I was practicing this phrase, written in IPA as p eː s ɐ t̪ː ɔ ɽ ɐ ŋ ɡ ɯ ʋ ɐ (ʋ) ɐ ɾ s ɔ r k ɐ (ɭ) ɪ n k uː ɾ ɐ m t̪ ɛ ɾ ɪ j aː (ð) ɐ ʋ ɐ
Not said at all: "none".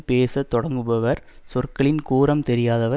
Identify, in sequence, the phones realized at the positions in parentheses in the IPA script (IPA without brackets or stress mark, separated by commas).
ʋ, ɭ, ð